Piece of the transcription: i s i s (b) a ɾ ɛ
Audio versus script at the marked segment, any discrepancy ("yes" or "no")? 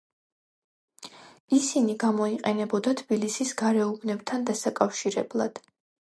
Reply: yes